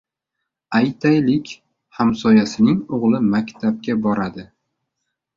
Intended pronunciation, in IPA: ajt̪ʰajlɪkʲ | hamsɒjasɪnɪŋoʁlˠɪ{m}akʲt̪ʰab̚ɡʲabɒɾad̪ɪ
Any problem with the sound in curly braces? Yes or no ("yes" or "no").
no